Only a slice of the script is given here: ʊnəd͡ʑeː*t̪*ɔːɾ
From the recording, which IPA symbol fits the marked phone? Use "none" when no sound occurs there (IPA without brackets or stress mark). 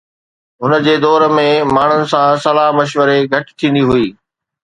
d̪